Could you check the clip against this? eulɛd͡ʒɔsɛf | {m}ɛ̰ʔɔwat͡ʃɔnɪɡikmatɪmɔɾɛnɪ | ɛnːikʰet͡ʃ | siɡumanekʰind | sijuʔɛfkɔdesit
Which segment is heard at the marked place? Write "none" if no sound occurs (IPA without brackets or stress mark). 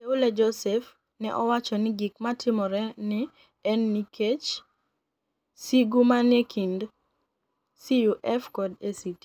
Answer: n